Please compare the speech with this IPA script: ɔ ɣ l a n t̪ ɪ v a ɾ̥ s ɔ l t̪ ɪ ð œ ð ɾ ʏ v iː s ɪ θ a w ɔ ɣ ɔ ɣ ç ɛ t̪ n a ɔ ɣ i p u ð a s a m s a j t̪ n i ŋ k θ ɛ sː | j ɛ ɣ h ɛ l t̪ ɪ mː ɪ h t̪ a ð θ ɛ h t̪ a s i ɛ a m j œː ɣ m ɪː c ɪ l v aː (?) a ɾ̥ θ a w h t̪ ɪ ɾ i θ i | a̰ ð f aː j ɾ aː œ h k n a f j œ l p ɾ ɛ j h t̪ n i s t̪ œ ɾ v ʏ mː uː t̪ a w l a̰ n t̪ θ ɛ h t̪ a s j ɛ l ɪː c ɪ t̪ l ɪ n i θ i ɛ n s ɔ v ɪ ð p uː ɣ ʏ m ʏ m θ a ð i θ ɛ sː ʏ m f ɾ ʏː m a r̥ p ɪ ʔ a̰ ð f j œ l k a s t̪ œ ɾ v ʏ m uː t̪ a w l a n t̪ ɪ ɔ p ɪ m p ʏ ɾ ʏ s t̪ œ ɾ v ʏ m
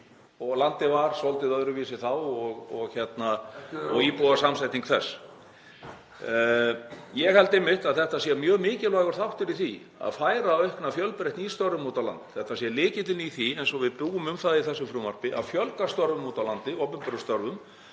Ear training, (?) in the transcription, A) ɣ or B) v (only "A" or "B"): A